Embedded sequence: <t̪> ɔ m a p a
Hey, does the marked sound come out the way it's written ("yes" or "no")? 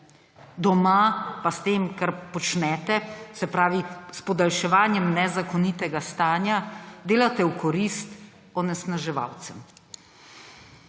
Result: no